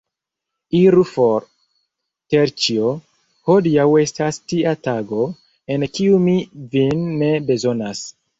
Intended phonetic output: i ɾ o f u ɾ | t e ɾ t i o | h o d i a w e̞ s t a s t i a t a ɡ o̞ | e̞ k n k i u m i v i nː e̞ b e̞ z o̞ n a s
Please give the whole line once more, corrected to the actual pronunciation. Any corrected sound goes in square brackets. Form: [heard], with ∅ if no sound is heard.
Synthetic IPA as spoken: i ɾ [u] f [o] ɾ | t e ɾ [t͡ʃ] i o | h o d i a w e̞ s t a s t i a t a ɡ o̞ | e̞ [∅] n k i u m i v i nː e̞ b e̞ z o̞ n a s